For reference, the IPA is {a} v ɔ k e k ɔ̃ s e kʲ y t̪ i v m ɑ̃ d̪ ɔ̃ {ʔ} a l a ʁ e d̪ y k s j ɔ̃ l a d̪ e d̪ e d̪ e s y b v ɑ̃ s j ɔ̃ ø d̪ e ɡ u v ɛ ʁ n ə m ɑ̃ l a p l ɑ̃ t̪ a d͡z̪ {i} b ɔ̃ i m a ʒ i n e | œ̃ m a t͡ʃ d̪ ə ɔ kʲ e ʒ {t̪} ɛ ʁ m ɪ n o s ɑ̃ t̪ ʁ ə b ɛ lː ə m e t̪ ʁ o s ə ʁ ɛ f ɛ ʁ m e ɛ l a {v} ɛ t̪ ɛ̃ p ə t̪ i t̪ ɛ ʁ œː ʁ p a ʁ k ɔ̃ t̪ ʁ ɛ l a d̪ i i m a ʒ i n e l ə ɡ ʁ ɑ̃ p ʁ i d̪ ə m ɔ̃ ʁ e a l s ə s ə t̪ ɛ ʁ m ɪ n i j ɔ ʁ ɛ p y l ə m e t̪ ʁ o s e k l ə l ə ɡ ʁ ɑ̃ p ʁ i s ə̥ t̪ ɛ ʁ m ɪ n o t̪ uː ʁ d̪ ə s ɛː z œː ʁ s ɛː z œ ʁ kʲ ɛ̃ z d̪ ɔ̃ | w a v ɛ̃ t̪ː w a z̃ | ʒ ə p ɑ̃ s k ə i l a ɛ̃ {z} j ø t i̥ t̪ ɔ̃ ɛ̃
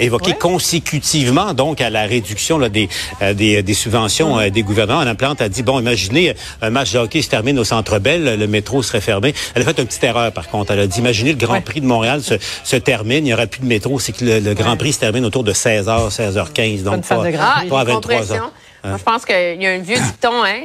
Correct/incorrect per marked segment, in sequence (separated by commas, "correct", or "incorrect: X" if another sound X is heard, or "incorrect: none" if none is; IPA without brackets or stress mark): incorrect: e, incorrect: k, correct, correct, incorrect: f, incorrect: v